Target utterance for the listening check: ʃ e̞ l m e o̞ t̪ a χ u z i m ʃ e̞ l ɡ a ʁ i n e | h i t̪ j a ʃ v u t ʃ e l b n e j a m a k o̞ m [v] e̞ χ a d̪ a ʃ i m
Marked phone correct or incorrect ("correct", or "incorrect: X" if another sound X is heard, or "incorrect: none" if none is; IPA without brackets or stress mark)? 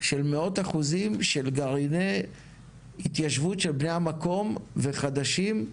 correct